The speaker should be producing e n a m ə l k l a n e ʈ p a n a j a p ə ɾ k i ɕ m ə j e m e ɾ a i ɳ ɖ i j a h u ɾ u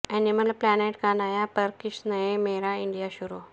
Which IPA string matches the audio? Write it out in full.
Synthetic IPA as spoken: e n i m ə l p l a n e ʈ k a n a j a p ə ɾ k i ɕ n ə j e m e ɾ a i ɳ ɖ i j a ɕ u ɾ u